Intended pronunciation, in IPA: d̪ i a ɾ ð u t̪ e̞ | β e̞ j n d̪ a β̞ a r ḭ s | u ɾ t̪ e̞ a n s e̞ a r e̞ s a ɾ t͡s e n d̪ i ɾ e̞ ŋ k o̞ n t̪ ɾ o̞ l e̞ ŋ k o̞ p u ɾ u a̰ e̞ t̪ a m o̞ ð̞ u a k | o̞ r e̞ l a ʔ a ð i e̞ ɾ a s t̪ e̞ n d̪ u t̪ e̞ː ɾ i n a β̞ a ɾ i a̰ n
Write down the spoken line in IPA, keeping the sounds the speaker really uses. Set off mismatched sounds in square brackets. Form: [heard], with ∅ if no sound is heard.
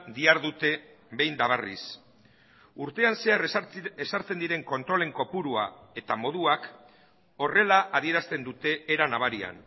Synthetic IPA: d̪ i a ɾ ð u t̪ e̞ | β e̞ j n d̪ a β̞ a r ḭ s | u ɾ t̪ e̞ a n s e̞ a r e̞ s a ɾ t͡s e n d̪ i ɾ e̞ ŋ k o̞ n t̪ ɾ o̞ l e̞ ŋ k o̞ p u ɾ u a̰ e̞ t̪ a m o̞ ð̞ u a k | o̞ r e̞ l a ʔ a ð i e̞ ɾ a s t̪ e̞ n d̪ u t̪ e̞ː ɾ [a] n a β̞ a ɾ i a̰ n